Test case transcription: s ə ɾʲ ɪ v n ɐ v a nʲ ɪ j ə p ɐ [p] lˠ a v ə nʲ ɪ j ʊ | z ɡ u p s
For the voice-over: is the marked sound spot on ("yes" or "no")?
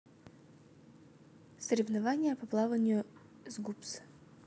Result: yes